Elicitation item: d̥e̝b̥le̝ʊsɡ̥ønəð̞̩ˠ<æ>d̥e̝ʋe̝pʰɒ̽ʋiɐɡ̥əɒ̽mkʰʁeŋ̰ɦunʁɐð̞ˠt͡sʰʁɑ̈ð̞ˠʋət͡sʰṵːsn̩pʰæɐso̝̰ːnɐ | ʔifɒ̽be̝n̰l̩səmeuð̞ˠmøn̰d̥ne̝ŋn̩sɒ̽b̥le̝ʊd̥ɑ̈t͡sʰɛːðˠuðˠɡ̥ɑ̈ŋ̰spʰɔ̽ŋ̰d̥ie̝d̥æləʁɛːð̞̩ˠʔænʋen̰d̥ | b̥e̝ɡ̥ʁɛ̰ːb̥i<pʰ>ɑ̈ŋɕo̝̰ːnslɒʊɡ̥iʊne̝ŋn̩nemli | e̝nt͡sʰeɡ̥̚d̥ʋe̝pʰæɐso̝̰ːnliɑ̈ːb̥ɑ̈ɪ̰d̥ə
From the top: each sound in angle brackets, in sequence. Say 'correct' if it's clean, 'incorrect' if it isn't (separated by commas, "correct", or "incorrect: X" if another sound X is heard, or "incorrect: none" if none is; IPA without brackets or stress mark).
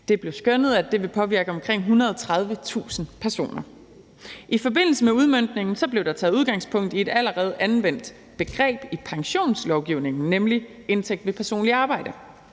correct, correct